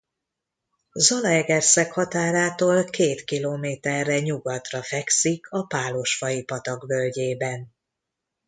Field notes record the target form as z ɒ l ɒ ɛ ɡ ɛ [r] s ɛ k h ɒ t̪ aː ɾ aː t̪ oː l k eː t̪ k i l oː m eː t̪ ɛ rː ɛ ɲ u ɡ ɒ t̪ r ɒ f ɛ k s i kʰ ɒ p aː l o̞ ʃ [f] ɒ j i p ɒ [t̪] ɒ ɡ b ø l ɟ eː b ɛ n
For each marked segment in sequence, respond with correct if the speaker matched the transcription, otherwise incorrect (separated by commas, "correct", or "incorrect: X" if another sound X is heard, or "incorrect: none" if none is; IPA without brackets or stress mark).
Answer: correct, correct, correct